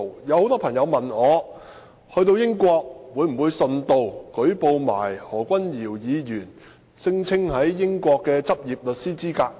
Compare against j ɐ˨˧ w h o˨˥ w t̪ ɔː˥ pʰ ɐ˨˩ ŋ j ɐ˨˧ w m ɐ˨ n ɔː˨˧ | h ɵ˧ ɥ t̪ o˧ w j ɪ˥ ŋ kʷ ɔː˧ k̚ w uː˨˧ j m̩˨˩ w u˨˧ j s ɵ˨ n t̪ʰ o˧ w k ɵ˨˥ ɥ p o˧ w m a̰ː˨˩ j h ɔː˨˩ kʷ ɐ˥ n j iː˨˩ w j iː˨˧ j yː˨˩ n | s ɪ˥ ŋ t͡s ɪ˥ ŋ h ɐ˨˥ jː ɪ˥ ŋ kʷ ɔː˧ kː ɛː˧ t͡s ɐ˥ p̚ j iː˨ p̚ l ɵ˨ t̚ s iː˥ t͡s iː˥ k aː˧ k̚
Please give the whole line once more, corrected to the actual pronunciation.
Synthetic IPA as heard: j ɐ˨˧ w h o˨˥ w t̪ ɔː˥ pʰ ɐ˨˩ ŋ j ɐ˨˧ w m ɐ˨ n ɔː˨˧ | h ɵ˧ ɥ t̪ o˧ w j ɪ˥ ŋ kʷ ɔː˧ k̚ w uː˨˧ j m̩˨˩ w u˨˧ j s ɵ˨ n t̪ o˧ w k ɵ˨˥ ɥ p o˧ w m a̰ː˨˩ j h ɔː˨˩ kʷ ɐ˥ n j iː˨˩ w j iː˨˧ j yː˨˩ n | s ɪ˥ ŋ t͡sʰ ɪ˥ ŋ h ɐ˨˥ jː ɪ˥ ŋ kʷ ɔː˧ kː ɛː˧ t͡s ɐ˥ p̚ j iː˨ p̚ l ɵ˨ t̚ s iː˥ t͡s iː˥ k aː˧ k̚